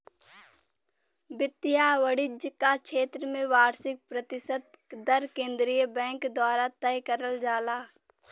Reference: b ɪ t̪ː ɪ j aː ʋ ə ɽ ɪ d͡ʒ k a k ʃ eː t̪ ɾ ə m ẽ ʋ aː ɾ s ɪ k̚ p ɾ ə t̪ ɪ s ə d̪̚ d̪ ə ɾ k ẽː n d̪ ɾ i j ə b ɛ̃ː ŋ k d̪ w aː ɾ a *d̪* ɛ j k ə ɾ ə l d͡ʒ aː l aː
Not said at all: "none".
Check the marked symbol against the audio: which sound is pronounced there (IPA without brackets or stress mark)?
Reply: t̪